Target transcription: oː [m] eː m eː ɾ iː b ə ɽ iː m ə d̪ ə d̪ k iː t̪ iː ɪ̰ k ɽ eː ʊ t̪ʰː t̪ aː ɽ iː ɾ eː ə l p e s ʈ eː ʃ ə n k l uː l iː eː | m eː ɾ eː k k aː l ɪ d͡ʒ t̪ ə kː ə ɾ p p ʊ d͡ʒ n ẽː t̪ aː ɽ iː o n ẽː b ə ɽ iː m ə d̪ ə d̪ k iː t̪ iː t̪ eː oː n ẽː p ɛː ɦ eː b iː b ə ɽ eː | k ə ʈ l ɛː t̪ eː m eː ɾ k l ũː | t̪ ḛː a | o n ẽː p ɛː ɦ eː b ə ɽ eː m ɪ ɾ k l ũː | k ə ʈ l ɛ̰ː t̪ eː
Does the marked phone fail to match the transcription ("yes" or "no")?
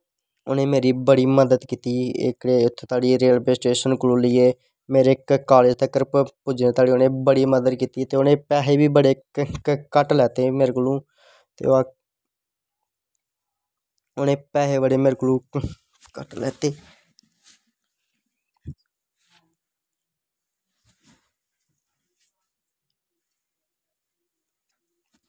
yes